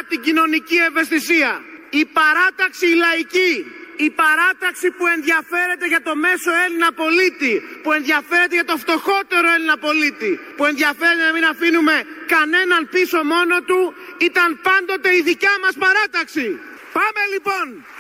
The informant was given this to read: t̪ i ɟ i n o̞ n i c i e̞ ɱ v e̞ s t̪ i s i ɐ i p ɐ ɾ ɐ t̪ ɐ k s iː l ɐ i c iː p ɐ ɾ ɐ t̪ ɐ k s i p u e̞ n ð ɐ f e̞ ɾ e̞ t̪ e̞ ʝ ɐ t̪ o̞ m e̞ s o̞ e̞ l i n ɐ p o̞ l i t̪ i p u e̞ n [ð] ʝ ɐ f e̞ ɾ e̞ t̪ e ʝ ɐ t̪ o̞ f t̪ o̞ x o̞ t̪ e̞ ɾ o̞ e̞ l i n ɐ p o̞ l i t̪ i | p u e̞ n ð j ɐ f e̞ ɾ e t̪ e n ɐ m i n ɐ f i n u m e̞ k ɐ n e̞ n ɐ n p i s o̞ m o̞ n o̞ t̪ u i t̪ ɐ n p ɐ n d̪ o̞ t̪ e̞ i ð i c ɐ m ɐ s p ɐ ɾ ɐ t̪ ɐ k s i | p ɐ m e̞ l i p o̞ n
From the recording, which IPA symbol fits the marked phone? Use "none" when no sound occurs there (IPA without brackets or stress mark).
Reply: ð